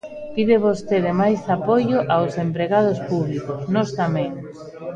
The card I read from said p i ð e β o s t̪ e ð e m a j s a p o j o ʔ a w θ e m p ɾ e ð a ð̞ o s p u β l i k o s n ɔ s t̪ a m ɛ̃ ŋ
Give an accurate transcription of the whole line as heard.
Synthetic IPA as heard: p i ð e β o s t̪ e ð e m a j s a p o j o ʔ a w s e m p ɾ e ɣ a ð̞ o s p u β l i k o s n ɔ s t̪ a m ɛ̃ ŋ